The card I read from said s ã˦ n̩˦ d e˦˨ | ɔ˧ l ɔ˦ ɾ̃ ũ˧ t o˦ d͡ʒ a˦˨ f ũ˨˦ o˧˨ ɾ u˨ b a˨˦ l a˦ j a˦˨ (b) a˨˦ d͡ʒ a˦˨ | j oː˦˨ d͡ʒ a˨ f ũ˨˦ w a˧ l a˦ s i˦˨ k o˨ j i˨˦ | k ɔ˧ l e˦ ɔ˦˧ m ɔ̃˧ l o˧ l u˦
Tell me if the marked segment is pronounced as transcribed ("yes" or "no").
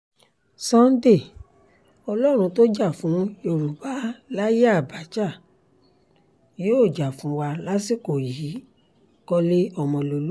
yes